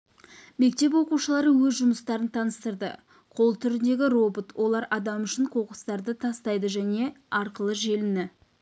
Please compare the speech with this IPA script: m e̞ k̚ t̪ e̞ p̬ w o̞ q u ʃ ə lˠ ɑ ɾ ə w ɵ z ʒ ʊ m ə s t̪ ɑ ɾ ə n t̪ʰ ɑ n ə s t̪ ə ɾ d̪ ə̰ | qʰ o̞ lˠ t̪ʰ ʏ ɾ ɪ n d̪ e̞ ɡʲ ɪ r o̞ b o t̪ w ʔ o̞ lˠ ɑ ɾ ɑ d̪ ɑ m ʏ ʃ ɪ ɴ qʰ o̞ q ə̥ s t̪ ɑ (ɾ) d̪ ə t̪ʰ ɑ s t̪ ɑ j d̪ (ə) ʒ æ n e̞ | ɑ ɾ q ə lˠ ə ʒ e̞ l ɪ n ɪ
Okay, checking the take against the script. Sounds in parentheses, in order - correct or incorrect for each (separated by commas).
correct, correct